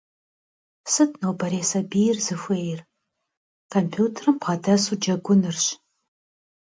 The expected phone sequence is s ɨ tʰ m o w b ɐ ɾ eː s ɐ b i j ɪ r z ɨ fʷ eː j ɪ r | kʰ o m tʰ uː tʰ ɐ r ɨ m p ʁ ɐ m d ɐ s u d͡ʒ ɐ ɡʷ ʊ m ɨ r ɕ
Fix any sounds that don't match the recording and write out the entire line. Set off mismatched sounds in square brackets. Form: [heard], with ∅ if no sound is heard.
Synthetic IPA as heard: s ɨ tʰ [n] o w b ɐ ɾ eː s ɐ b i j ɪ r z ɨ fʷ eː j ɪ r | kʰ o m [pʰ] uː tʰ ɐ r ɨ m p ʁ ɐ [∅] d ɐ s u d͡ʒ ɐ ɡʷ ʊ [n] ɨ r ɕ